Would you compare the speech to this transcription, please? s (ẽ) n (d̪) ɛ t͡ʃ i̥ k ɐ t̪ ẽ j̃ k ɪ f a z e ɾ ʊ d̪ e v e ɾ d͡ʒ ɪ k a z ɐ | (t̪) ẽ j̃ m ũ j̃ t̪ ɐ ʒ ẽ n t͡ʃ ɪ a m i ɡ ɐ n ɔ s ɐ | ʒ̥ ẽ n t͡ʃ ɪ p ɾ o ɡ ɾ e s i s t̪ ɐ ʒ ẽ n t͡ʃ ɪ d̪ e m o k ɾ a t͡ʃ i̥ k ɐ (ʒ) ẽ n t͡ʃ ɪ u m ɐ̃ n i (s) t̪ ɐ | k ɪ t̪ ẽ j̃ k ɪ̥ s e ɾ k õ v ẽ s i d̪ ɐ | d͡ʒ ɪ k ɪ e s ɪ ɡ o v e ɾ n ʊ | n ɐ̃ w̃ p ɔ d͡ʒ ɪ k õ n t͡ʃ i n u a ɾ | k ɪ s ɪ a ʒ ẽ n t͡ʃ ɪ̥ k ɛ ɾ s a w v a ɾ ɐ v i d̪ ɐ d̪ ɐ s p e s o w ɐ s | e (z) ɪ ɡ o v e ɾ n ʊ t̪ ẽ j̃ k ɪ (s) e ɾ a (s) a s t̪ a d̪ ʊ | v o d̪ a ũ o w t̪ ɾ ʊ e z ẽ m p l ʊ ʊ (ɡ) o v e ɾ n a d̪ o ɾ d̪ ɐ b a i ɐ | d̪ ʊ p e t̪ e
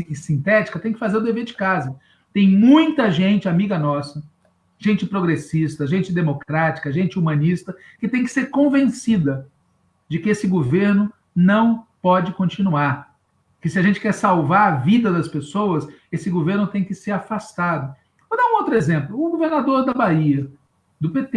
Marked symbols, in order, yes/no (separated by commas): no, no, yes, yes, yes, no, yes, no, yes